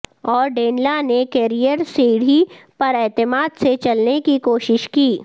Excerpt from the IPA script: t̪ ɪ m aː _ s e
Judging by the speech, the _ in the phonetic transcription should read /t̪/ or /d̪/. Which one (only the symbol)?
d̪